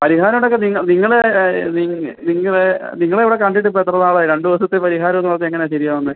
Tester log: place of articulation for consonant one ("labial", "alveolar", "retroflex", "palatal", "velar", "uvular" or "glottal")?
labial